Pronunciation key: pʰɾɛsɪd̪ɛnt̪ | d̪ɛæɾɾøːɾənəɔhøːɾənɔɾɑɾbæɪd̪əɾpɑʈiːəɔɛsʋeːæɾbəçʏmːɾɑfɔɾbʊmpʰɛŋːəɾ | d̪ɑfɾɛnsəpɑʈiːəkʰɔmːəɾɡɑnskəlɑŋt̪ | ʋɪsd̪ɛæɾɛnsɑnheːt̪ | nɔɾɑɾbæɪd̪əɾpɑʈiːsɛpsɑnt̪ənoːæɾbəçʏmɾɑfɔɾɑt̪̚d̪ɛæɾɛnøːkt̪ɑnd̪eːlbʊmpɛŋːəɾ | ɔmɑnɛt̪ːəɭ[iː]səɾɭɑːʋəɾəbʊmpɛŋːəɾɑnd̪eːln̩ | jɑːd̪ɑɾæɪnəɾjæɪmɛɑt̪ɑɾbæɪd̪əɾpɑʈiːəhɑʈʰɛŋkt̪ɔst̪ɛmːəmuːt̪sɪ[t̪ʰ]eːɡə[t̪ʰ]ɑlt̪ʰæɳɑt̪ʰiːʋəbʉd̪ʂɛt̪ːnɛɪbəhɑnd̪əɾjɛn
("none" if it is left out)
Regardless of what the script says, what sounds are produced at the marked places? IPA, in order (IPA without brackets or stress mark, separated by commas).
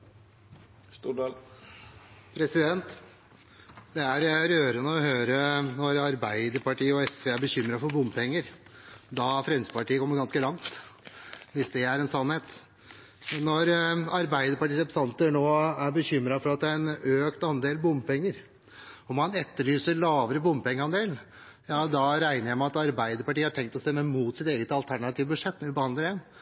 yː, t̪, t̪